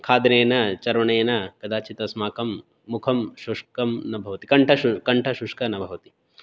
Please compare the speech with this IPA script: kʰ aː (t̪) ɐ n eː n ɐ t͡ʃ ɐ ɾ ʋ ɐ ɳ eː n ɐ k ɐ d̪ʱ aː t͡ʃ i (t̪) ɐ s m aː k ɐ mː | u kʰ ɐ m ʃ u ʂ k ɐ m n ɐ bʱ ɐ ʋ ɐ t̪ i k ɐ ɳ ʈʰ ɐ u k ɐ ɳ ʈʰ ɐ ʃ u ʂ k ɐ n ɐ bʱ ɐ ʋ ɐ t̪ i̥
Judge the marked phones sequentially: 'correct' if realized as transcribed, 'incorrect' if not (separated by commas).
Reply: incorrect, correct